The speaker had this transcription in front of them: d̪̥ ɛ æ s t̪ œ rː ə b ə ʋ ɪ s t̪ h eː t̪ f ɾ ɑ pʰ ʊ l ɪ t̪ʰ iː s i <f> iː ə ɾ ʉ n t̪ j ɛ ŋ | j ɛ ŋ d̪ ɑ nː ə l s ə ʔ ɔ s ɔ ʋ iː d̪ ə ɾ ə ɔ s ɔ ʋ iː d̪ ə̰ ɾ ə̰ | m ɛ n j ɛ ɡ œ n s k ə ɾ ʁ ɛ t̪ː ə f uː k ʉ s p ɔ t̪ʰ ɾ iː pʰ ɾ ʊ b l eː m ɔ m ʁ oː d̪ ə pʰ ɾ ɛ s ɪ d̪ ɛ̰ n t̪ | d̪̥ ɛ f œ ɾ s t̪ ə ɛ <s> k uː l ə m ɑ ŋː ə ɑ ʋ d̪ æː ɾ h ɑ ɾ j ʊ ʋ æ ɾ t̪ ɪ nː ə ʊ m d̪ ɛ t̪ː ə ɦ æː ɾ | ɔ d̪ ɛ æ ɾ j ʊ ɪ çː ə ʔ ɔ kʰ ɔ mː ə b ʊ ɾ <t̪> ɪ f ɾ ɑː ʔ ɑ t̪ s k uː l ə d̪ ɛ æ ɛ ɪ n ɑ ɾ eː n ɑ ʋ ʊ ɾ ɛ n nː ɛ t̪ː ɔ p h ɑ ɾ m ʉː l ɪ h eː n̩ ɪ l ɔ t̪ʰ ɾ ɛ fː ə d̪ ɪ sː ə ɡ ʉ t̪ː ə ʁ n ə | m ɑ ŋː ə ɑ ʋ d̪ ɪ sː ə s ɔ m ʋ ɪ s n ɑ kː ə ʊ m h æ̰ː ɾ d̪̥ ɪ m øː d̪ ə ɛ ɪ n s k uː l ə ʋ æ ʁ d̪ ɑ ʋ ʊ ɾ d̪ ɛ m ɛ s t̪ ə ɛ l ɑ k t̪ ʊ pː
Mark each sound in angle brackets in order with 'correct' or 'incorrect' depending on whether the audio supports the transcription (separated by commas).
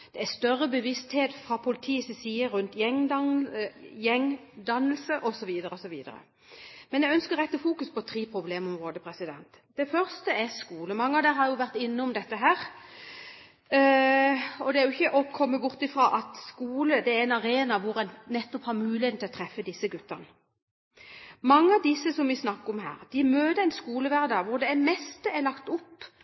incorrect, correct, correct